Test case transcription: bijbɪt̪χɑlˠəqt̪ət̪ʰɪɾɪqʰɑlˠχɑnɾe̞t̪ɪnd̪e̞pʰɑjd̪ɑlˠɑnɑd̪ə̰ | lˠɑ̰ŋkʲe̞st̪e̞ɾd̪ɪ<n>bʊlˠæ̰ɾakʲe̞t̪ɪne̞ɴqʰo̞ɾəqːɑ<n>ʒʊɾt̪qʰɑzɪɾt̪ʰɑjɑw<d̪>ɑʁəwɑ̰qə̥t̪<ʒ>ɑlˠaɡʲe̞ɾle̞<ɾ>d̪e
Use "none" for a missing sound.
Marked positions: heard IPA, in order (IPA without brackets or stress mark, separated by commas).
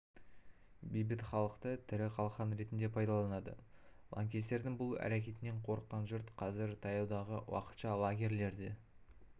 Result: ŋ, n, d̪, ʃ, ɾ